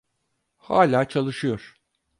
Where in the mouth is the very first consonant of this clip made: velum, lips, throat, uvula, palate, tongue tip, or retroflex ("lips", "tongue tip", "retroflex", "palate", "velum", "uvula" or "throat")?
throat